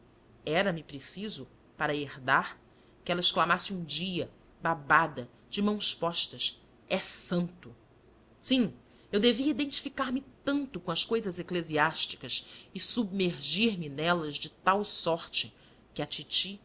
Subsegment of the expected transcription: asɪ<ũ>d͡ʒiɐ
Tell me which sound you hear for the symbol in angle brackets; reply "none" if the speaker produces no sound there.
ũ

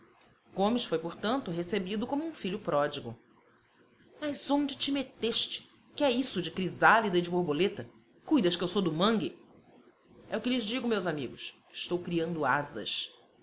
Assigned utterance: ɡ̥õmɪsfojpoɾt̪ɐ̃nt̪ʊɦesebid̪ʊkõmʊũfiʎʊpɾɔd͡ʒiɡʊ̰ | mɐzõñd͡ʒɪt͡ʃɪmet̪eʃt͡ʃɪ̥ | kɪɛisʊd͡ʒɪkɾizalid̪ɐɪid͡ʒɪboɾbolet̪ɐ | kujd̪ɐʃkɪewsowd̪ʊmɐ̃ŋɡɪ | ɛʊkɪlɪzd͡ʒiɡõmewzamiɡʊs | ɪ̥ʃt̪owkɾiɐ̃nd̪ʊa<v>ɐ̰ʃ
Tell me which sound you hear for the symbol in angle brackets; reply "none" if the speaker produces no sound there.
z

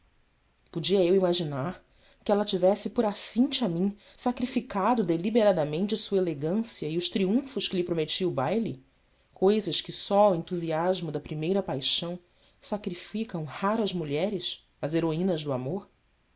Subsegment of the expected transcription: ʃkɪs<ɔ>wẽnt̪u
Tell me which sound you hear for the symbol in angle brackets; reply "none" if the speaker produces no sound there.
ɔ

